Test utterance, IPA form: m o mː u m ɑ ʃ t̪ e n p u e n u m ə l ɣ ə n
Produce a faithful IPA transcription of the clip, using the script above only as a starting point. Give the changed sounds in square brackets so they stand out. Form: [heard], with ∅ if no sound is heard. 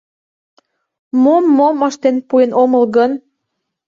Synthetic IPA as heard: m o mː [o] m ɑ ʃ t̪ e n p u e n [o] m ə l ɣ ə n